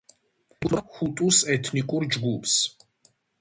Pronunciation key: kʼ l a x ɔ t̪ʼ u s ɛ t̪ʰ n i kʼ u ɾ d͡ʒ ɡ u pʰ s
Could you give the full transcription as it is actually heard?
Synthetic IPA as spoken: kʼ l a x u t̪ʼ u s ɛ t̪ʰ n i kʼ u ɾ d͡ʒ ɡ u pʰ s